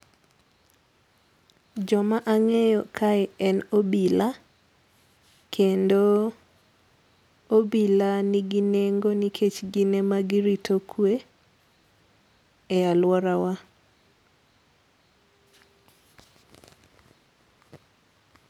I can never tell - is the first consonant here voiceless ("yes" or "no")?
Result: no